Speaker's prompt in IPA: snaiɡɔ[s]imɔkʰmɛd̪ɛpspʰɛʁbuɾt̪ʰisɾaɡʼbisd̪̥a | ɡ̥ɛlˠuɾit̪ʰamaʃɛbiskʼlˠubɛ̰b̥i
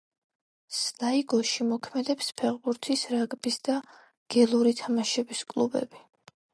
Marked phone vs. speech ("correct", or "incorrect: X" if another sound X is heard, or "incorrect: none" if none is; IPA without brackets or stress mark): incorrect: ʃ